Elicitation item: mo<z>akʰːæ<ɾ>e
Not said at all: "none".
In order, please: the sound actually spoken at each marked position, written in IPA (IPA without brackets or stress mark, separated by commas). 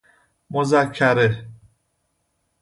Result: z, ɾ